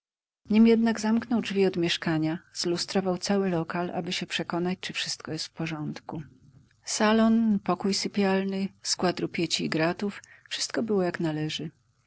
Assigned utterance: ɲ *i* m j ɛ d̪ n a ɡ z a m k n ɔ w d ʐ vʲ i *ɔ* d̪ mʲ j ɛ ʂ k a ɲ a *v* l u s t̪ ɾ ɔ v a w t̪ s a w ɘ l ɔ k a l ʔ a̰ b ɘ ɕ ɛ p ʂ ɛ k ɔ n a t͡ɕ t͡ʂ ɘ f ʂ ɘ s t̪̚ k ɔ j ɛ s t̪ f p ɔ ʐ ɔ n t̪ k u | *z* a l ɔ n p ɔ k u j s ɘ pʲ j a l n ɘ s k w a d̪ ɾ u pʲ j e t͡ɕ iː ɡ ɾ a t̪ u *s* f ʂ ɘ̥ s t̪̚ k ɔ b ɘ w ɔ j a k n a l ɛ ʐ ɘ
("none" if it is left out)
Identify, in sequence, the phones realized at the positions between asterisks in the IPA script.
i, ɔ, z, s, f

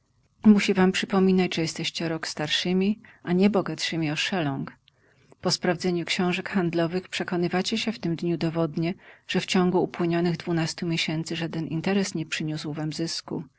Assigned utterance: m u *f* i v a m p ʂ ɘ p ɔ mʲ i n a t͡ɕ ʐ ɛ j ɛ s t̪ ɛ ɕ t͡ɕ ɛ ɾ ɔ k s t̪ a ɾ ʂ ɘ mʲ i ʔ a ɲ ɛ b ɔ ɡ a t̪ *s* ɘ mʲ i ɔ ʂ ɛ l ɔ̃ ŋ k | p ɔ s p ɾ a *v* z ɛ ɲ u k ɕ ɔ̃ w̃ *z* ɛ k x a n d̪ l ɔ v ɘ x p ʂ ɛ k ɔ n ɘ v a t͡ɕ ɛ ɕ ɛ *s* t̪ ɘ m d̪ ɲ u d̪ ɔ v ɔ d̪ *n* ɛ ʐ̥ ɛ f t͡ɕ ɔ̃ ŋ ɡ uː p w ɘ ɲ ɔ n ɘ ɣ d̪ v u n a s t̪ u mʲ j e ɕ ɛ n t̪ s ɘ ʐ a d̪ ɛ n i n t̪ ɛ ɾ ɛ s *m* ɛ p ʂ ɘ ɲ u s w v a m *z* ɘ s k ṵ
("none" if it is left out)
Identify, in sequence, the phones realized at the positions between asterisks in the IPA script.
ɕ, ʂ, v, ʐ, f, ɲ, ɲ, z

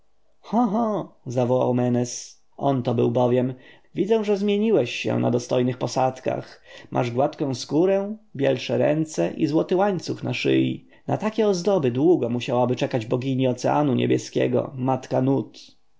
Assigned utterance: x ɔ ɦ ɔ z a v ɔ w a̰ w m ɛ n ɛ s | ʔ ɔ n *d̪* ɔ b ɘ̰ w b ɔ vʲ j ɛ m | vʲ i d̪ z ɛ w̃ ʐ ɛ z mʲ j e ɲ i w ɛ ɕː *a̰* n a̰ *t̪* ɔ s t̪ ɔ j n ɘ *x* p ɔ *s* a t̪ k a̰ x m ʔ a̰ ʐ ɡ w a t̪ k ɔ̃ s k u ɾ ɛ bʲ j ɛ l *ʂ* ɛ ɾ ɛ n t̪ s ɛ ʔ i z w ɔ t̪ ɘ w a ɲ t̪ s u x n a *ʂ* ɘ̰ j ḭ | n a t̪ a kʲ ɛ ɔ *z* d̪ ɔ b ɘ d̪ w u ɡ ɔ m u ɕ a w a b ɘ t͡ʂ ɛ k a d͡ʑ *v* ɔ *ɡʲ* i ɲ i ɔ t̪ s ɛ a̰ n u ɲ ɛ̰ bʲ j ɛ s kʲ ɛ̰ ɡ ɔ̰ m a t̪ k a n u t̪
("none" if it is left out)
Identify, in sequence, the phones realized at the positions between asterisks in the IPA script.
t̪, ɛ̰, d̪, x, s, ʂ, ʂ, z, b, ɡʲ

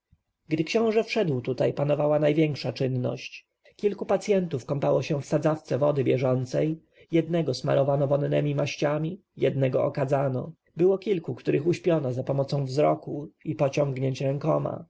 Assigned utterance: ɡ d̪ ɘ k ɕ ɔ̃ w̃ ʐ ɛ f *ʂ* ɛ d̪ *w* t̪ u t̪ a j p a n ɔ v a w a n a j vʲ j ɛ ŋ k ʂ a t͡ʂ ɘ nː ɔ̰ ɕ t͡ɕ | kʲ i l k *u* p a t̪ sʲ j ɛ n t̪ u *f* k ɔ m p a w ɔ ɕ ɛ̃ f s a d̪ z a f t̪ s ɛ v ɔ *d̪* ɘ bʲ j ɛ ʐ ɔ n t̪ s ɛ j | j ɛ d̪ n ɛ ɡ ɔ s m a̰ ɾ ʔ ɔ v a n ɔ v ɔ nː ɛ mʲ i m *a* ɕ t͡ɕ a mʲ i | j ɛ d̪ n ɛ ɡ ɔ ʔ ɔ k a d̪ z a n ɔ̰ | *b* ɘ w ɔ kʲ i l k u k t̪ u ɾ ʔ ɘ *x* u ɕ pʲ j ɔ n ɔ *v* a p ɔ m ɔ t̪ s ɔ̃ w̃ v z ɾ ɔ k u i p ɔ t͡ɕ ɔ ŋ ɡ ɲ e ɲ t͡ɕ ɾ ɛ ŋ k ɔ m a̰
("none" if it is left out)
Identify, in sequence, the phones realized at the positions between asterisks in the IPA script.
ʂ, w, u, f, d̪, a, b, x, z

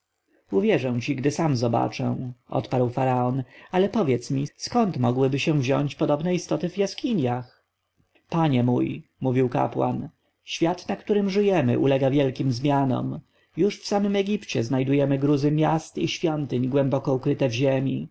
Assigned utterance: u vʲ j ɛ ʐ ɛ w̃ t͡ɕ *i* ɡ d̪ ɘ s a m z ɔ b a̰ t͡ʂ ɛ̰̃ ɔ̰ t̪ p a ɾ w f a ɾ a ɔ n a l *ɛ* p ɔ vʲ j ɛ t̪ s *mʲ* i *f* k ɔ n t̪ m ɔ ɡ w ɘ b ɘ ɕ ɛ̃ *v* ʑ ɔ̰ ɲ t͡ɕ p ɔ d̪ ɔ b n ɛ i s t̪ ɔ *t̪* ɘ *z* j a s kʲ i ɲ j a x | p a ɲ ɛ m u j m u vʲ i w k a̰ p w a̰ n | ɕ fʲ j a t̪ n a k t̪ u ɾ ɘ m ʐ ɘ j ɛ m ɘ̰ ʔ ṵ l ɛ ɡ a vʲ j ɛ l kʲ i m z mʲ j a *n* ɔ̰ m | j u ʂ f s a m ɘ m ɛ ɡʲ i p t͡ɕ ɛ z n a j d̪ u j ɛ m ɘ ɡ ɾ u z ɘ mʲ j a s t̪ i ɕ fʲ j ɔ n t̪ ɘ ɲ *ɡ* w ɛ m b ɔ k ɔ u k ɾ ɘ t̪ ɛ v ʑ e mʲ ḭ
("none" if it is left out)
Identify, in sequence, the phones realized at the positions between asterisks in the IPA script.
i, ɛ, mʲ, s, v, t̪, v, n, ɡ

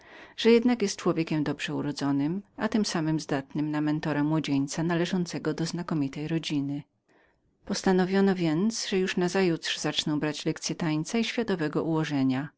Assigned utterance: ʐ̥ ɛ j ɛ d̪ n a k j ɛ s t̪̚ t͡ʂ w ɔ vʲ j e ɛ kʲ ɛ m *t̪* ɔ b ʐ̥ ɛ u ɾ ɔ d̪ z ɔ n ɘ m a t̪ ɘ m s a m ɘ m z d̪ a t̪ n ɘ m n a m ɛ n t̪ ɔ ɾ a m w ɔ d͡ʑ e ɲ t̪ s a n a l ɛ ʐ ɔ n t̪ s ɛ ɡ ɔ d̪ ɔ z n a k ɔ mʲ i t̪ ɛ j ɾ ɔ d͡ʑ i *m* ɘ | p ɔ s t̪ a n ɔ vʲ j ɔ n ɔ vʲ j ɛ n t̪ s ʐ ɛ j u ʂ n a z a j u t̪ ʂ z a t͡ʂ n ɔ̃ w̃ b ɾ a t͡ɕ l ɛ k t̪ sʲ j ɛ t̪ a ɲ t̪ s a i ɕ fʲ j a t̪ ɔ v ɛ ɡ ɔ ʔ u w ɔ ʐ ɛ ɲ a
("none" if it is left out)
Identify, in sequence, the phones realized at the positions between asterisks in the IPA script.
d̪, n

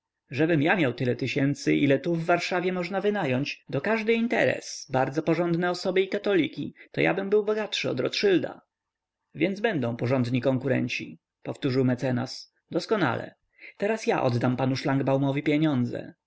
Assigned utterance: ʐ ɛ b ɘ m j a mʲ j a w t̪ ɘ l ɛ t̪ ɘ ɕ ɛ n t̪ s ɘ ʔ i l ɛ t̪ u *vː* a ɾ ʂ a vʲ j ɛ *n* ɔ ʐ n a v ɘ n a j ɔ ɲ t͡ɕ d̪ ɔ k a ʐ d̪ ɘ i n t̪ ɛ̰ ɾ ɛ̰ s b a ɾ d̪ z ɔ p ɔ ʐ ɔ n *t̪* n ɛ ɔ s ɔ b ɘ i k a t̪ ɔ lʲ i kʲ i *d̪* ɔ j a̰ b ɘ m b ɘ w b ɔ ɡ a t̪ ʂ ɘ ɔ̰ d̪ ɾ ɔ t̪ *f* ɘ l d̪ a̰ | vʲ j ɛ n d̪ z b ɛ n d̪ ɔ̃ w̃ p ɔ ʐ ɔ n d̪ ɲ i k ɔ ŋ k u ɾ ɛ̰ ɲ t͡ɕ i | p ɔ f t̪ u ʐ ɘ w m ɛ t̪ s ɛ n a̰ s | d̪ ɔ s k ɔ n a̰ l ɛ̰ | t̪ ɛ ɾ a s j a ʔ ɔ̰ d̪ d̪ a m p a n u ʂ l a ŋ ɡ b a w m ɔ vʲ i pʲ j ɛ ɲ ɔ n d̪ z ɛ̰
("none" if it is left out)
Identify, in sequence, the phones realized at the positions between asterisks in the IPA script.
vː, m, d̪, t̪, ʂ

